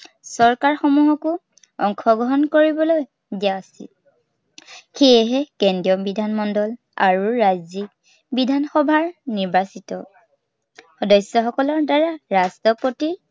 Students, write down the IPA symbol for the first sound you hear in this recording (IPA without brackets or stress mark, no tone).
s